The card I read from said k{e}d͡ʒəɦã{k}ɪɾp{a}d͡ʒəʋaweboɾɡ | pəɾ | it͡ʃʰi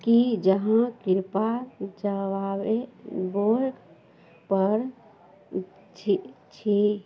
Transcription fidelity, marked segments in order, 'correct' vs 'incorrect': incorrect: i, correct, correct

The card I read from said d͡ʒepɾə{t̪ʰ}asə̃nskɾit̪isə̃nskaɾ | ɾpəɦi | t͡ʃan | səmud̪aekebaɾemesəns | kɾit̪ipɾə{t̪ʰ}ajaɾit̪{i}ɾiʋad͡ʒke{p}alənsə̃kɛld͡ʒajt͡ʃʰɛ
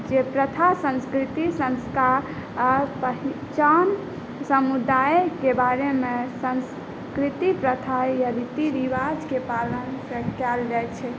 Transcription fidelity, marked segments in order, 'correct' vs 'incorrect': correct, correct, correct, correct

